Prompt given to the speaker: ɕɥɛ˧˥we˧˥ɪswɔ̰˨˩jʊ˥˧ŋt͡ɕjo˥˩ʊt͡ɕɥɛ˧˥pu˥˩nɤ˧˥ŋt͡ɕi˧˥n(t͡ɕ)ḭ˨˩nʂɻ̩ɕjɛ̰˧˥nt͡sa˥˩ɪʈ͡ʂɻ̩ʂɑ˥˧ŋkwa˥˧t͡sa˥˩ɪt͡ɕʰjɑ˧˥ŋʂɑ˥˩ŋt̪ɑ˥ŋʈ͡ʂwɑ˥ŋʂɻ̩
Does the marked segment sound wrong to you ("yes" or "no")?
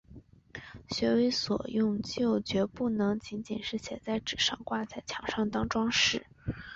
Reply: no